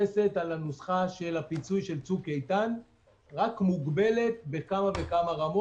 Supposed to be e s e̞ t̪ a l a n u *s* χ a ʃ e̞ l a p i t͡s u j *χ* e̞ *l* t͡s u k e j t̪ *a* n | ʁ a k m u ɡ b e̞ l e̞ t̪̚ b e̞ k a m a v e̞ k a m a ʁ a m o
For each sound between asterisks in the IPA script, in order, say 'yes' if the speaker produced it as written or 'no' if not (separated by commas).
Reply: yes, no, yes, yes